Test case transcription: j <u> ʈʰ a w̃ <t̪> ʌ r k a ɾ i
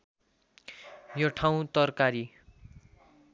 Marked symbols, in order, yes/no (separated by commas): no, yes